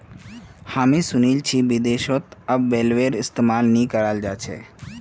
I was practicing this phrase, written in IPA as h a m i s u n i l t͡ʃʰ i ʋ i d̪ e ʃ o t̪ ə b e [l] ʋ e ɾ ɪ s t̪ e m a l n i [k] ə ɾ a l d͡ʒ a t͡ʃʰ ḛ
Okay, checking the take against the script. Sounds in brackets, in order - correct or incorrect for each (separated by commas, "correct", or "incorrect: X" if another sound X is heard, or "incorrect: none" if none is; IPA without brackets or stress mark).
correct, correct